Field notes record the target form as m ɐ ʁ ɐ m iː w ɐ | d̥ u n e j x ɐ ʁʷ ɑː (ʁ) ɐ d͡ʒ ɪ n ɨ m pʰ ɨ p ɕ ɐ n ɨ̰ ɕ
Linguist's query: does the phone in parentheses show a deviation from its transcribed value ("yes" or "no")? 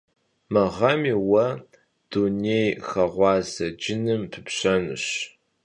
yes